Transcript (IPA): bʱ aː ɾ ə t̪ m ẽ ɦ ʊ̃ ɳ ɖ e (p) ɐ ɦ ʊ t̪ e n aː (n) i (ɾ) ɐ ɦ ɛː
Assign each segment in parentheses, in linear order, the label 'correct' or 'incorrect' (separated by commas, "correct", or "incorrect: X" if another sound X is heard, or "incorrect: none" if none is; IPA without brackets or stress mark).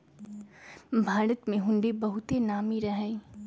incorrect: b, incorrect: m, correct